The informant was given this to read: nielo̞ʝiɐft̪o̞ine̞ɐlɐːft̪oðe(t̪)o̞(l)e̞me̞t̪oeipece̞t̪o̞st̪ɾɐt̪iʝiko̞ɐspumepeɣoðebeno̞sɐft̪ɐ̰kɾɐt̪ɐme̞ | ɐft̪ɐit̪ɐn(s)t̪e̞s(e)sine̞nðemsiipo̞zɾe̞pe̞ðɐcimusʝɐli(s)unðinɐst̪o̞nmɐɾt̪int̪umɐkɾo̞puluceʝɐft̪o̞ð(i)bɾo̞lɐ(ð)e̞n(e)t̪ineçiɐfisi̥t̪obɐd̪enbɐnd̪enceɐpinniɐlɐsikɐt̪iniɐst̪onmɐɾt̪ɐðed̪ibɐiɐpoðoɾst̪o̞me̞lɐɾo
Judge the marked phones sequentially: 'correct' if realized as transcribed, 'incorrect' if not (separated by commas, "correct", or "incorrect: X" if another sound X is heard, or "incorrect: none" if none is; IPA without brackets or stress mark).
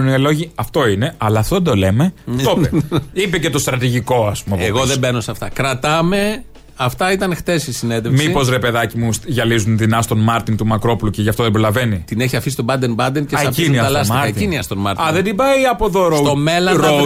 incorrect: d̪, correct, incorrect: x, incorrect: i, incorrect: z, incorrect: e, incorrect: v, incorrect: i